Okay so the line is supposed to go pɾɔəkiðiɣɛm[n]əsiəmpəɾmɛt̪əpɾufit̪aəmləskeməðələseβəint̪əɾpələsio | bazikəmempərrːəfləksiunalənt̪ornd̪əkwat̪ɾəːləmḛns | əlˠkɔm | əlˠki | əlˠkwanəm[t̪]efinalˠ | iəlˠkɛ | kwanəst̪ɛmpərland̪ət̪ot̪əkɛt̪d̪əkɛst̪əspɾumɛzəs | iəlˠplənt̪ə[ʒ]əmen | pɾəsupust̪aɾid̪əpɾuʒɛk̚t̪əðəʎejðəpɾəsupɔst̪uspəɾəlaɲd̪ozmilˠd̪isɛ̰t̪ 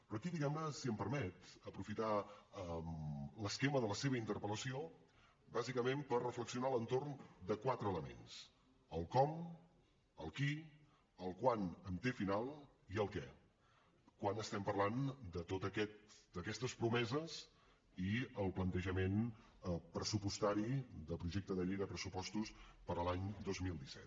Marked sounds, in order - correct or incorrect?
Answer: correct, correct, correct

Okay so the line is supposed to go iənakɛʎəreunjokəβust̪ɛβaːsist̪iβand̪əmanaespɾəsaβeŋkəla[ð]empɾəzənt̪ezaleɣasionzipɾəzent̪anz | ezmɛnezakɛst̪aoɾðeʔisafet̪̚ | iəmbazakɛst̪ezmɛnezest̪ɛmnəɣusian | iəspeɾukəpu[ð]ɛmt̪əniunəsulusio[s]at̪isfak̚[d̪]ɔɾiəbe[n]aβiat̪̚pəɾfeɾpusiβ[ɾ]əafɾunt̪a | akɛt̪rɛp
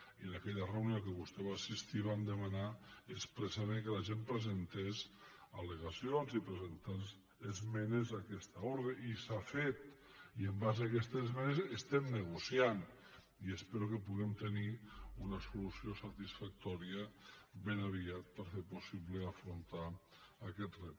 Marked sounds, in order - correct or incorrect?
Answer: incorrect: ʒ, incorrect: ɣ, correct, incorrect: t̪, correct, incorrect: l

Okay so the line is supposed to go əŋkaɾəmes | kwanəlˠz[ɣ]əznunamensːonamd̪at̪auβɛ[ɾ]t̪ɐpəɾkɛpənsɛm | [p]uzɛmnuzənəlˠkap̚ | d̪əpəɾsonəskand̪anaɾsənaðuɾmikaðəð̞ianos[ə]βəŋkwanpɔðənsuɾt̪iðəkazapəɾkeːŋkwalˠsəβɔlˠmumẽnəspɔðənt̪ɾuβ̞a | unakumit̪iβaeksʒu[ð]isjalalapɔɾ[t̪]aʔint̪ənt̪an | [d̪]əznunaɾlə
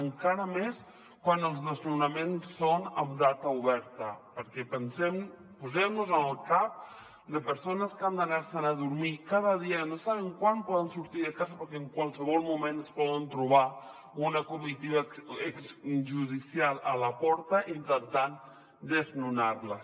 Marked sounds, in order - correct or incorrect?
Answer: incorrect: ð, correct, correct, incorrect: a, correct, correct, correct

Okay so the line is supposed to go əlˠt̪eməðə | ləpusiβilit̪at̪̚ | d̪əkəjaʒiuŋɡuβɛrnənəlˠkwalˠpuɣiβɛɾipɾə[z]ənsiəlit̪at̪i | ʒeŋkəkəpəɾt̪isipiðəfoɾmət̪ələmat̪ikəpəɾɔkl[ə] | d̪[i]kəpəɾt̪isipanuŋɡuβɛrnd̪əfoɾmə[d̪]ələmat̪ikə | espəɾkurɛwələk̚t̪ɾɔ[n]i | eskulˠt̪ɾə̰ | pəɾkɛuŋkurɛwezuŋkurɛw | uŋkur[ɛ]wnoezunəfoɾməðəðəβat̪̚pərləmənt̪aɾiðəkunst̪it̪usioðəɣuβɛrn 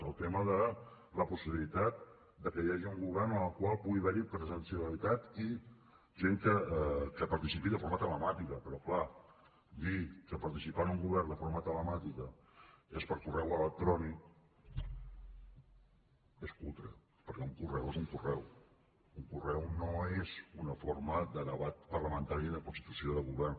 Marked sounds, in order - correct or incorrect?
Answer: correct, incorrect: a, correct, incorrect: t̪, correct, correct

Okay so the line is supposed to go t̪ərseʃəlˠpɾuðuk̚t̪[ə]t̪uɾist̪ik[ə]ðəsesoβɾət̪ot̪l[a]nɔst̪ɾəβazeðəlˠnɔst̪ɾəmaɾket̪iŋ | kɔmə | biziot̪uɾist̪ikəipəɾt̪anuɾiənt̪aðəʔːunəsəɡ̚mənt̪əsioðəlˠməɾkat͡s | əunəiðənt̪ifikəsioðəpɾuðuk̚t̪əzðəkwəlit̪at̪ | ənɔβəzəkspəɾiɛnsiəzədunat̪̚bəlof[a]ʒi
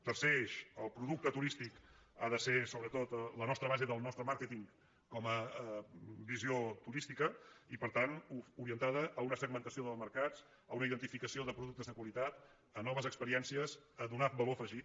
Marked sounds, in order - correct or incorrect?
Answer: correct, incorrect: a, incorrect: ə, incorrect: ə

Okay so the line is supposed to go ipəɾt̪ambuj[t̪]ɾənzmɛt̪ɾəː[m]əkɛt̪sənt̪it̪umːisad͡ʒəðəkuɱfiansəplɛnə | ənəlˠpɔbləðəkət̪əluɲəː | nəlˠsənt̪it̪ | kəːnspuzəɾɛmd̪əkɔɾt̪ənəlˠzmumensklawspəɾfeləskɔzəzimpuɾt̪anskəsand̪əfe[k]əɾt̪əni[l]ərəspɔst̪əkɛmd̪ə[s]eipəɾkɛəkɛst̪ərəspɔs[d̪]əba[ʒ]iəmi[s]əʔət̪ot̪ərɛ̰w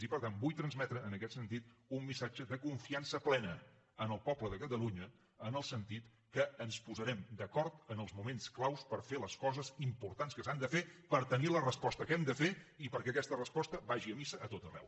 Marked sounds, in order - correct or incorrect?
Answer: correct, incorrect: n, incorrect: p, correct, incorrect: f, incorrect: t̪, correct, correct

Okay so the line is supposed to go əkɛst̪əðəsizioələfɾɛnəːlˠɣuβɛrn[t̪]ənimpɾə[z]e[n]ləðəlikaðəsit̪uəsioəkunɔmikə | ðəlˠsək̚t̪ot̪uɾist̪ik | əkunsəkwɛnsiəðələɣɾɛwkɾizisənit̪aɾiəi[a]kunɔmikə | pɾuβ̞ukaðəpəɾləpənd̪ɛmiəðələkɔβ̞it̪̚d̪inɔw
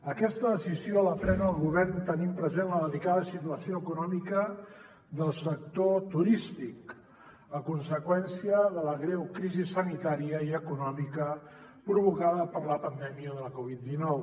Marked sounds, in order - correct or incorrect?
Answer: correct, correct, correct, incorrect: ə

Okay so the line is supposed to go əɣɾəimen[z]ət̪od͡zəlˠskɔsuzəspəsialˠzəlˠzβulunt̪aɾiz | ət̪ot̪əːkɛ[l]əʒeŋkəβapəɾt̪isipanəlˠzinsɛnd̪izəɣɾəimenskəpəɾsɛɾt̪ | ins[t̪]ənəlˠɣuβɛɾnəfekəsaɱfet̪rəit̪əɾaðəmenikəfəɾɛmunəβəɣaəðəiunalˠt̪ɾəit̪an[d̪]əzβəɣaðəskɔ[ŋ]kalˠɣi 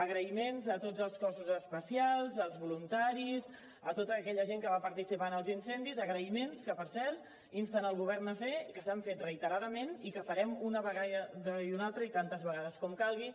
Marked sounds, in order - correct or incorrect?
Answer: correct, incorrect: ʎ, correct, incorrect: t̪, incorrect: m

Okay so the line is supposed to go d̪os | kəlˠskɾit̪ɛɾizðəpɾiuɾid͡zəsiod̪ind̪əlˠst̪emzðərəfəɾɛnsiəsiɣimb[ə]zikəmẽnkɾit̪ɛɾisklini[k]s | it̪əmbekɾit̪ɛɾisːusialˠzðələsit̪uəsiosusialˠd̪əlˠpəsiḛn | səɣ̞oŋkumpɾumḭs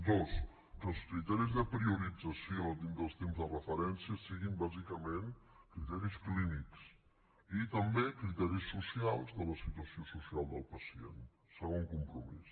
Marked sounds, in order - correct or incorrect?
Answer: incorrect: a, correct

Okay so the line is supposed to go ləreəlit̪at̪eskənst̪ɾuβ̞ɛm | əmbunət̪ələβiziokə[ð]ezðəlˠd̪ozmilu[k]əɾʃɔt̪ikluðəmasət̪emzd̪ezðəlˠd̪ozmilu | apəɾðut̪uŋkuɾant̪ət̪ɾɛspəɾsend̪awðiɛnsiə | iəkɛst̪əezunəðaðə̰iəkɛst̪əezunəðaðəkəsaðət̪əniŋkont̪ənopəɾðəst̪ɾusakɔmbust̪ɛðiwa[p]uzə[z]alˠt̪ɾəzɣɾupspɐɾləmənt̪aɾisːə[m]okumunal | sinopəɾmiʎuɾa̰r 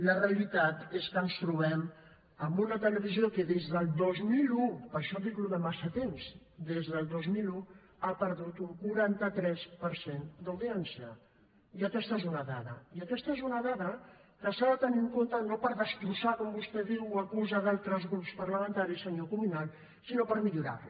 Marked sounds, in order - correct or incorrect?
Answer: correct, incorrect: p, incorrect: k, incorrect: ð, incorrect: ɲ

